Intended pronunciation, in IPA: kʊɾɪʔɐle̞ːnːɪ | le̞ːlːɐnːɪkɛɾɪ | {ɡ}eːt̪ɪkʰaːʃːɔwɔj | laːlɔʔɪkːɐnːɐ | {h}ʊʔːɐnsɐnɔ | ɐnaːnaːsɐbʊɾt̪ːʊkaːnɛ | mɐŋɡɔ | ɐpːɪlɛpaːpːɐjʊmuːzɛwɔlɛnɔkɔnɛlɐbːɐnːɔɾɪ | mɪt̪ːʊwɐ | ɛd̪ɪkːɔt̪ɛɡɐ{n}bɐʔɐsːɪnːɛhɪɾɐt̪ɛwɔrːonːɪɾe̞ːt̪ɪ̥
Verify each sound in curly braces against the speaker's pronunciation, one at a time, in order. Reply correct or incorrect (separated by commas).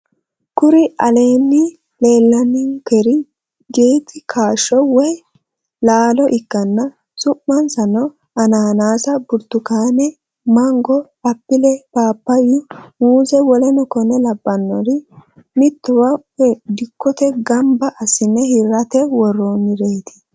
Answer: correct, incorrect, incorrect